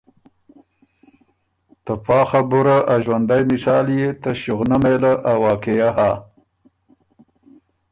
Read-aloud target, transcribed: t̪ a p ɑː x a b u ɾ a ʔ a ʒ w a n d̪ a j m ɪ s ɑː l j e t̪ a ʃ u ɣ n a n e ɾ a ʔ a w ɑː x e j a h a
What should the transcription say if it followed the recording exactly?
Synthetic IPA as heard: t̪ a p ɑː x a b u ɾ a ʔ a ʒ w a n d̪ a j m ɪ s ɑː l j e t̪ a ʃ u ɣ n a m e l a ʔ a w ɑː k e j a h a